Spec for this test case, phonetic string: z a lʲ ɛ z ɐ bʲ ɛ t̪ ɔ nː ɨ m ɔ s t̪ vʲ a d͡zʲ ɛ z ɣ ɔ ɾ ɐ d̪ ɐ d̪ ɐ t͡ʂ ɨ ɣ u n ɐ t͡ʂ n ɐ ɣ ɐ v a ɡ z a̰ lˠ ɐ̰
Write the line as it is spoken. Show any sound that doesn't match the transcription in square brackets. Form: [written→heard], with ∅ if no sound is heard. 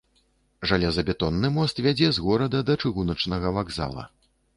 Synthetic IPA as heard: [z→ʐ] a lʲ ɛ z ɐ bʲ ɛ t̪ ɔ nː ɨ m ɔ s t̪ vʲ a d͡zʲ ɛ z ɣ ɔ ɾ ɐ d̪ ɐ d̪ ɐ t͡ʂ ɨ ɣ u n ɐ t͡ʂ n ɐ ɣ ɐ v a ɡ z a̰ lˠ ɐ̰

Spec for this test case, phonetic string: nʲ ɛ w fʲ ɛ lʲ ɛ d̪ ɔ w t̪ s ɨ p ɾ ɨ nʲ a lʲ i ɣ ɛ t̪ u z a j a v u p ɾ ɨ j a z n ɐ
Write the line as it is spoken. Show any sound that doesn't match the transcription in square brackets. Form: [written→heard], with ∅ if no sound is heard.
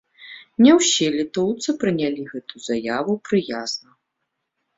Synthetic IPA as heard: nʲ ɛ w [fʲ→sʲ] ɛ lʲ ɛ [d̪→t̪] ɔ w t̪ s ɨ p ɾ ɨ nʲ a lʲ i ɣ ɛ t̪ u z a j a v u p ɾ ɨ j a z n ɐ

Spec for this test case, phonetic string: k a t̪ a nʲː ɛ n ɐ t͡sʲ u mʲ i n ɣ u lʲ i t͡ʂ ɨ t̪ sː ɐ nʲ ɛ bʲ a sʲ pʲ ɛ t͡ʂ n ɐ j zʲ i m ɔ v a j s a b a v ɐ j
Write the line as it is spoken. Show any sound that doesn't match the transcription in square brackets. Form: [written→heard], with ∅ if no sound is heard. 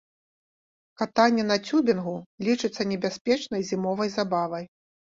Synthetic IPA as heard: k a t̪ a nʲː ɛ n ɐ t͡sʲ u [mʲ→bʲ] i n ɣ u lʲ i t͡ʂ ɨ t̪ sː ɐ nʲ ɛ bʲ a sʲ pʲ ɛ t͡ʂ n ɐ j zʲ i m ɔ v [a→ɐ] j [s→z] a b a v ɐ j

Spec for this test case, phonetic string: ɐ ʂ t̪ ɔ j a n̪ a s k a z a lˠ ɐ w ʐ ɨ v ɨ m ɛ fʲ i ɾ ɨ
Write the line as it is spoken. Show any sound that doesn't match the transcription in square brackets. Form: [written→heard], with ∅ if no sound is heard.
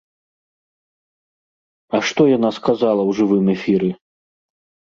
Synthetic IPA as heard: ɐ ʂ t̪ ɔ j a n̪ a s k a z a lˠ ɐ w ʐ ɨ v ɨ m ɛ fʲ i ɾ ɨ

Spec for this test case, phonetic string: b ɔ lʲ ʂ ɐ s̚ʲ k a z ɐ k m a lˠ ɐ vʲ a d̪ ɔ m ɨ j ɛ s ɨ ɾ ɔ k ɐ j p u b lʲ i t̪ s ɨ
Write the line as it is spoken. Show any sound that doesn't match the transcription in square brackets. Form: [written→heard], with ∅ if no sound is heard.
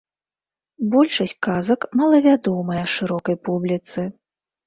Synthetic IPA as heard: b ɔ lʲ ʂ ɐ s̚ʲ k a z ɐ k m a lˠ ɐ vʲ a d̪ ɔ m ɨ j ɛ [s→ʂ] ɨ ɾ ɔ k ɐ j p u b lʲ i t̪ s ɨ

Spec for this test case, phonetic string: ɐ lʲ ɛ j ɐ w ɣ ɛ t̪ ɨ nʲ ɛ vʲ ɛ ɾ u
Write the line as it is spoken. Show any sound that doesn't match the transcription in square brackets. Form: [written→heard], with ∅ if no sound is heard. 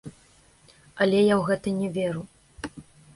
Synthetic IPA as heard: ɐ lʲ ɛ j [ɐ→a] w ɣ ɛ t̪ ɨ nʲ ɛ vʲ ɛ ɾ u

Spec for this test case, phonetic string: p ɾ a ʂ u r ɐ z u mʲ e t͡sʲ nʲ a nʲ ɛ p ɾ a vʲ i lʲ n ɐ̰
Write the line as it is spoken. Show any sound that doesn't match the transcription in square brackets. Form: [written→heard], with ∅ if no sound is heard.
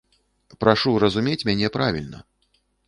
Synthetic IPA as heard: p ɾ a ʂ u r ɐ z u mʲ e t͡sʲ [nʲ→mʲ] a nʲ ɛ p ɾ a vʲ i lʲ n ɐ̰

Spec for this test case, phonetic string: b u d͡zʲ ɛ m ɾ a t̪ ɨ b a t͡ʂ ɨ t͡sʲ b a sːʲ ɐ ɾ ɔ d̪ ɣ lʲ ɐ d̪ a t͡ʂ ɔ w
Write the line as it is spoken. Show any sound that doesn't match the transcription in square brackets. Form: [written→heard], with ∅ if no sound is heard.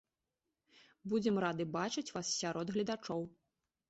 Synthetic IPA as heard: b u d͡zʲ ɛ m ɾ a [t̪→d̪] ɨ b a t͡ʂ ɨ t͡sʲ [b→v] a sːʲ [ɐ→a] ɾ ɔ d̪ ɣ lʲ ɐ d̪ a t͡ʂ ɔ w

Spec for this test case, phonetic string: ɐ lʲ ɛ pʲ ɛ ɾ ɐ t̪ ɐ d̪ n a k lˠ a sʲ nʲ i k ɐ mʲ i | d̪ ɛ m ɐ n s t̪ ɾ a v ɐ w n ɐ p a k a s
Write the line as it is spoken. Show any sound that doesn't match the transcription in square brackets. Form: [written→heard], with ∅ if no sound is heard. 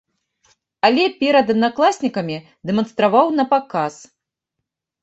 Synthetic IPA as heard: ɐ lʲ ɛ pʲ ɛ ɾ ɐ [t̪→d̪] ɐ d̪ n a k lˠ a sʲ nʲ i k ɐ mʲ i | d̪ ɛ m ɐ n s t̪ ɾ a v [ɐ→a] w n ɐ p a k a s

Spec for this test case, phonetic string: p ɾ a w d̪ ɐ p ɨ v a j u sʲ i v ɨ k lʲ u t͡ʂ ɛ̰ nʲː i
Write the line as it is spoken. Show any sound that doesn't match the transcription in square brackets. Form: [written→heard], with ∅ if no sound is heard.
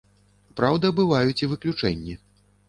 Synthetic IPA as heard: p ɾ a w d̪ ɐ [p→b] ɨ v a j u [sʲ→t͡sʲ] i v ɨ k lʲ u t͡ʂ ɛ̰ nʲː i

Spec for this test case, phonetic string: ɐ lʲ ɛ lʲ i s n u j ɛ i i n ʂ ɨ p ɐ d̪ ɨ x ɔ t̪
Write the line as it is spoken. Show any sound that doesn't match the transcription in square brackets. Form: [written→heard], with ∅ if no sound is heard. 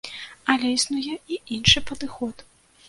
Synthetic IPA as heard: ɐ lʲ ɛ [lʲ→∅] i s n u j ɛ i i n ʂ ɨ p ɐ d̪ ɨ x ɔ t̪

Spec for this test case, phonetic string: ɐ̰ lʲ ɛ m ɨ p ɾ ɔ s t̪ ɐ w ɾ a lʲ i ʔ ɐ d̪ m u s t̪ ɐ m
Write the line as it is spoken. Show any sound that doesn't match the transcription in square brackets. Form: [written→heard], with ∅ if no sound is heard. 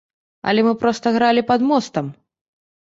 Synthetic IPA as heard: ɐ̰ lʲ ɛ m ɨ p ɾ ɔ s t̪ ɐ [w→ɣ] ɾ a lʲ i [ʔ→p] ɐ d̪ m [u→ɔ] s t̪ ɐ m

